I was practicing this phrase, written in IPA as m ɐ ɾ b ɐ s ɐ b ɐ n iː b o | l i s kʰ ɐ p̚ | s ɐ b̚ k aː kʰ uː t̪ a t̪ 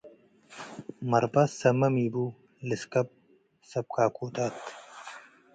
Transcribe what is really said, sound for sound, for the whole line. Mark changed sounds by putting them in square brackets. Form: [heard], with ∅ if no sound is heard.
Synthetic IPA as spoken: m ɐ ɾ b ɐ s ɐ [m] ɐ [m] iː b [u] | l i s [k] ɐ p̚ | s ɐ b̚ k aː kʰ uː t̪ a t̪